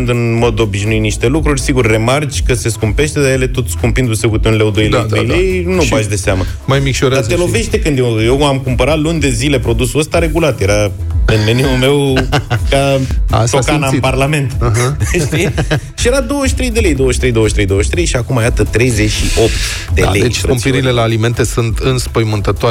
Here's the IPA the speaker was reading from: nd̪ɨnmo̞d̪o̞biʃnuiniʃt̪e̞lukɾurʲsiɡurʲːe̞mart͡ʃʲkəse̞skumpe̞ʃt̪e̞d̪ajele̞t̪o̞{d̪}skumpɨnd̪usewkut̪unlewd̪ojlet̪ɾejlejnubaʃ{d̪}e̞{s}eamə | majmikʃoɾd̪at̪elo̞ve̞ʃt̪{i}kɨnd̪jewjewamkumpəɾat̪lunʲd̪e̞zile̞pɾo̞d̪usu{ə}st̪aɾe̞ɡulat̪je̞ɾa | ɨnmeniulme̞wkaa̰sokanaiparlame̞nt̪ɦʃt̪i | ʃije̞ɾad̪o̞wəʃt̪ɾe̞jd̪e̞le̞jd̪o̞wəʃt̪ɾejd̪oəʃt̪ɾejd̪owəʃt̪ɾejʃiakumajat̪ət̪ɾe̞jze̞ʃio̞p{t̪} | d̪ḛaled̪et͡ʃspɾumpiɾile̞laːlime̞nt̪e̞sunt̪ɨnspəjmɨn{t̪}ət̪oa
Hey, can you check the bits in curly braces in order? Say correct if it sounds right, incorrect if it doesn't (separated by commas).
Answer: incorrect, correct, correct, incorrect, correct, correct, correct